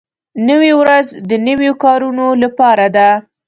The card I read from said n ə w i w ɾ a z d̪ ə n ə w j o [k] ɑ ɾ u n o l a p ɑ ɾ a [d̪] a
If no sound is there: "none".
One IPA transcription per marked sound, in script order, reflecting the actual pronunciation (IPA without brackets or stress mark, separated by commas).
k, d̪